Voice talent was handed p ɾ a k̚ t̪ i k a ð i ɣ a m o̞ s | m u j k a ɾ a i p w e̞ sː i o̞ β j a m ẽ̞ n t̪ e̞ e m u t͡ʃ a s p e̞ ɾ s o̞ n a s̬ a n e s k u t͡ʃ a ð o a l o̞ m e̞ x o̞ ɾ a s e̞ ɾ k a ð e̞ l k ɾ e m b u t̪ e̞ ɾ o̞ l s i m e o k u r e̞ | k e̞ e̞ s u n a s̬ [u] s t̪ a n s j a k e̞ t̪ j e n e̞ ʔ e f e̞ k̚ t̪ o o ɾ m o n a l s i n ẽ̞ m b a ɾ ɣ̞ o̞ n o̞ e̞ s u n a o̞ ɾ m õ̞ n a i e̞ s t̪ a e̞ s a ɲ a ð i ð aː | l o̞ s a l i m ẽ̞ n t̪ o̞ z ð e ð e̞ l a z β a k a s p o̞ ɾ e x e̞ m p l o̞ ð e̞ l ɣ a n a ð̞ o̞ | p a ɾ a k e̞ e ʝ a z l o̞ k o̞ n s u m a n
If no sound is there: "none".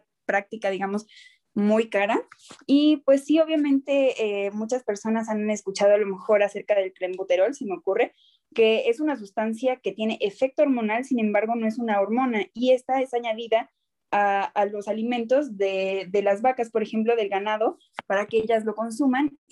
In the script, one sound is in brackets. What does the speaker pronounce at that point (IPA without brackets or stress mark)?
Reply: u